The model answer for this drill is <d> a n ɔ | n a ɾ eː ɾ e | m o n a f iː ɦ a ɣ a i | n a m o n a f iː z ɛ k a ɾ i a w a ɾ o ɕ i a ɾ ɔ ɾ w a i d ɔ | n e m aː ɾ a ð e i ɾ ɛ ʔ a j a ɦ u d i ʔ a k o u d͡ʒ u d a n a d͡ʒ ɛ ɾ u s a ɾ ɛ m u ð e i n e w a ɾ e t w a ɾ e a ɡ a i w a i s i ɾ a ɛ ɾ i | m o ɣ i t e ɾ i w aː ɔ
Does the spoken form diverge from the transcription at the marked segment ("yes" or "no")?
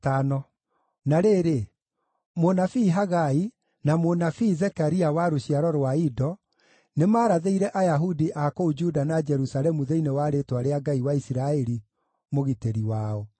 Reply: yes